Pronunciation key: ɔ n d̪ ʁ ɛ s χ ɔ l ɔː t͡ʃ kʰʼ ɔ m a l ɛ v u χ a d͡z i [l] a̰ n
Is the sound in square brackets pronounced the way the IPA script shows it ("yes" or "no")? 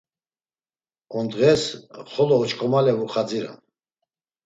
no